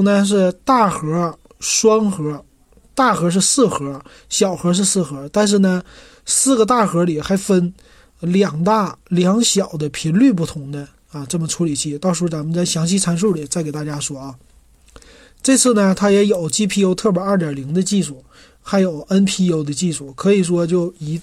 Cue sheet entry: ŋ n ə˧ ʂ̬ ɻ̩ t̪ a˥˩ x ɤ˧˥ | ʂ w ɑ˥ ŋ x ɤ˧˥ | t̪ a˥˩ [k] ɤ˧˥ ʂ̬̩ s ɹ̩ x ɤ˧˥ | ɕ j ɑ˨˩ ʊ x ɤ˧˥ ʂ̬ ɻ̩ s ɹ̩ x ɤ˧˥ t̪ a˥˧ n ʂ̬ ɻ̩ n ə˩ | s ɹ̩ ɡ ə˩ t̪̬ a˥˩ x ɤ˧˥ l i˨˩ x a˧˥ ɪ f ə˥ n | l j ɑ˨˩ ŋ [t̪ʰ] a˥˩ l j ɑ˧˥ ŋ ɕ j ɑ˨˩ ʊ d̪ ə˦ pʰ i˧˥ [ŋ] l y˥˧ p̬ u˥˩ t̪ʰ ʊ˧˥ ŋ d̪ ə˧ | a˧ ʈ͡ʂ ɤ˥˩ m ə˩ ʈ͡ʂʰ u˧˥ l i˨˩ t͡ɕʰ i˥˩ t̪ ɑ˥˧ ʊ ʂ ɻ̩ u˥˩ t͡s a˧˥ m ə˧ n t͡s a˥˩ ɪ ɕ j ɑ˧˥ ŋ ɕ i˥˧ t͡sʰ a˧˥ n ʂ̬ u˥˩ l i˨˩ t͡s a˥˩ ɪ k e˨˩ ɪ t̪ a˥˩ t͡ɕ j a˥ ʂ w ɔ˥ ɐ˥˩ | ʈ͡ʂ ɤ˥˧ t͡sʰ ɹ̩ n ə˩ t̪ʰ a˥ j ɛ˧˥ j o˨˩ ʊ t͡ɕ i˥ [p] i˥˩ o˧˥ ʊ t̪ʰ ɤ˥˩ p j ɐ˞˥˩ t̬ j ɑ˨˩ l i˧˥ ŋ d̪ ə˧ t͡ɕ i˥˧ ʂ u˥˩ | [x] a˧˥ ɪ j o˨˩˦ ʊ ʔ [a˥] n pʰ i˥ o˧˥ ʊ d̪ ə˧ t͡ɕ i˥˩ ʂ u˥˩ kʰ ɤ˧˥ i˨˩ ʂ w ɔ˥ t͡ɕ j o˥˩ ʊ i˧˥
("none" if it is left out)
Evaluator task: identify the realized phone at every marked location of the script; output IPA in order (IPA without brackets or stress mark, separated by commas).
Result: x, t̪, n, pʰ, x, ə˥